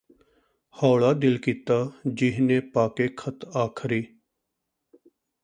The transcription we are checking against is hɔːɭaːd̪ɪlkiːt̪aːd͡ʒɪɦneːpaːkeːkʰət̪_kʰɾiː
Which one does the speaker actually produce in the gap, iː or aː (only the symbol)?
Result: aː